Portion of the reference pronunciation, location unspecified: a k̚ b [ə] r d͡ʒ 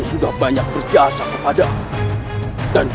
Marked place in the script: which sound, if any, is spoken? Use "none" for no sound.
ə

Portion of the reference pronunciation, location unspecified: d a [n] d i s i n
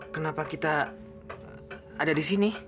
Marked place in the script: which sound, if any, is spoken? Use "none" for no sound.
none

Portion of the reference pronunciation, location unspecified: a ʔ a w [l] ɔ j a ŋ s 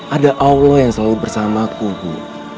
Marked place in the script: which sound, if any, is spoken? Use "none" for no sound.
l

